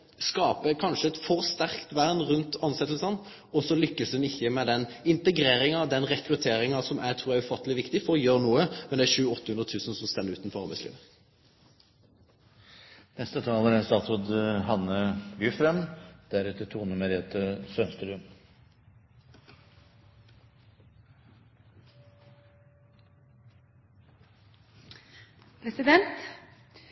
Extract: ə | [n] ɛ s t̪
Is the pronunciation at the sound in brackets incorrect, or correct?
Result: correct